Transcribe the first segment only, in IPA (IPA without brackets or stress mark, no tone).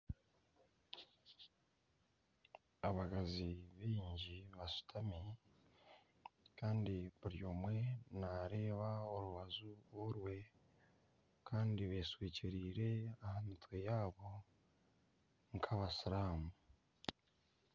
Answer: a